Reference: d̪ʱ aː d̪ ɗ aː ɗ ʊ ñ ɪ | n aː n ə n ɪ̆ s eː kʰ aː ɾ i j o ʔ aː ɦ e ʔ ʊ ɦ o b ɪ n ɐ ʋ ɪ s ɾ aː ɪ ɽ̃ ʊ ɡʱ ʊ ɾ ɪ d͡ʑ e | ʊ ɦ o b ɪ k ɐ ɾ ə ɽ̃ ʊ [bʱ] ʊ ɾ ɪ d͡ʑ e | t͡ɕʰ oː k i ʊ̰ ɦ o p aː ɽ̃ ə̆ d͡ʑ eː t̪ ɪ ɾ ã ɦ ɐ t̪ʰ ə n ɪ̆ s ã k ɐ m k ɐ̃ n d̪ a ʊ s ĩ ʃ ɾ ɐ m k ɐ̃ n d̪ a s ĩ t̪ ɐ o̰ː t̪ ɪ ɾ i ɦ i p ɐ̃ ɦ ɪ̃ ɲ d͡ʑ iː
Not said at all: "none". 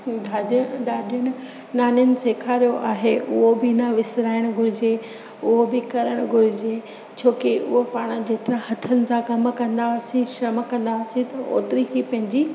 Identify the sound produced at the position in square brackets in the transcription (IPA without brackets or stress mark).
ɡʱ